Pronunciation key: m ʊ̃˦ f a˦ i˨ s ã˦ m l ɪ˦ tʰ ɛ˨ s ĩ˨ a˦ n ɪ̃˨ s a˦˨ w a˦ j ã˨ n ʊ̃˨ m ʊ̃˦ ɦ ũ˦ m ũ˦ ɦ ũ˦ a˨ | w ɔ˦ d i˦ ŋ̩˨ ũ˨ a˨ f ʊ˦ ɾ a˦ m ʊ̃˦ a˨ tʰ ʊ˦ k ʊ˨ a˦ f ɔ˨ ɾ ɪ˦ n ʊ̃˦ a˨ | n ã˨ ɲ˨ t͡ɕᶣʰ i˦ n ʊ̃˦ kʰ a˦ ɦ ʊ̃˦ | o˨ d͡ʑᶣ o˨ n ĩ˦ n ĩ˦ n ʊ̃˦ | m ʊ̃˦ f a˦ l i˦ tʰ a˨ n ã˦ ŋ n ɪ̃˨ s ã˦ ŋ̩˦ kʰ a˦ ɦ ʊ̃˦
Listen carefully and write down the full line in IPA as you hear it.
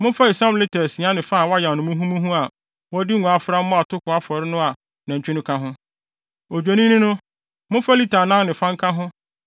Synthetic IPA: m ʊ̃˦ f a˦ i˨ s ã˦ m l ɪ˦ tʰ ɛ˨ s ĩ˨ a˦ n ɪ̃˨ f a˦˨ w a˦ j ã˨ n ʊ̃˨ m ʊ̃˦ ɦ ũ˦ m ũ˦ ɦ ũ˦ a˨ | w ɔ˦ d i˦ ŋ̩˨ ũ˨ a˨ f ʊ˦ ɾ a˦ m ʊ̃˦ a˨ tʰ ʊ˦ k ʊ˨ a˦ f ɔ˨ ɾ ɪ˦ n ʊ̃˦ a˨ | n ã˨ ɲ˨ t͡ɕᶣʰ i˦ n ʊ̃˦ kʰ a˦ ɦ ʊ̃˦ | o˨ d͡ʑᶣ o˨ n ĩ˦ n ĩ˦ n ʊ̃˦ | m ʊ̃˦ f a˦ l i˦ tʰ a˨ n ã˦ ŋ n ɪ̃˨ f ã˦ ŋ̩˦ kʰ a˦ ɦ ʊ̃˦